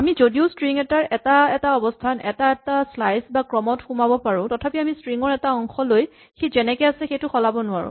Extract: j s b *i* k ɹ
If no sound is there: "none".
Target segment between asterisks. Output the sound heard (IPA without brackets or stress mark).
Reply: a